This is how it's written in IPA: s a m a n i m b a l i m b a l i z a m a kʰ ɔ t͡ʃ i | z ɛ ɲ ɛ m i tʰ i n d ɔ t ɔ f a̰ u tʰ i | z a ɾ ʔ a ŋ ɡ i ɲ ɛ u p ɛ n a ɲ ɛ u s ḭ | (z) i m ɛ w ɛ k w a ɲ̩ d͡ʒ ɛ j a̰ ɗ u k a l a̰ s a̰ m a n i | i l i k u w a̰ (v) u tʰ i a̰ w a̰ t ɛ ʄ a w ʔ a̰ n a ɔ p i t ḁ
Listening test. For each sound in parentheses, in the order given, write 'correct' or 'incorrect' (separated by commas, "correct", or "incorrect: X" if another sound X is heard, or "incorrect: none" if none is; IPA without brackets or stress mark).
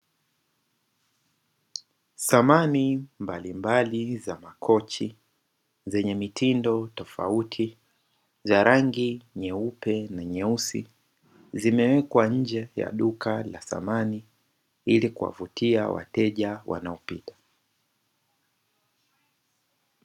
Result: correct, correct